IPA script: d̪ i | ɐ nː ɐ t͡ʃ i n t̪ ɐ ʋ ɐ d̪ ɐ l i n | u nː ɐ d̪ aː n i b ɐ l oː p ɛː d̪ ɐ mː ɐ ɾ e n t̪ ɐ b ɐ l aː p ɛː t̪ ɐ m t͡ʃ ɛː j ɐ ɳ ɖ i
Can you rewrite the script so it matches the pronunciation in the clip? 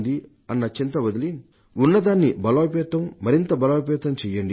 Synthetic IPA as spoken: d̪ i | ɐ nː ɐ t͡ʃ i n t̪ ɐ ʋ ɐ d̪ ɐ l i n | u nː ɐ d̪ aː nː i b ɐ l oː p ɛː t̪ ɐ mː ɐ ɾ i n t̪ ɐ b ɐ l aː p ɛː t̪ ɐ m t͡ʃ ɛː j ɐ ɳ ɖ i